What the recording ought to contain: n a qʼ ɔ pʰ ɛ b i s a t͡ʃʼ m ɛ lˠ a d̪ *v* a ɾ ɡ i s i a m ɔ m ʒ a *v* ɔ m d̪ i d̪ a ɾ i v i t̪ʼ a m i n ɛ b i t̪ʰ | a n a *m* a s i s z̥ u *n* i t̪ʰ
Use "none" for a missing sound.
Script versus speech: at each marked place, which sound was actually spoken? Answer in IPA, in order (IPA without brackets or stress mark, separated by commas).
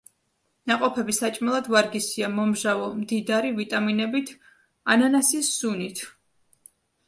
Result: v, v, n, n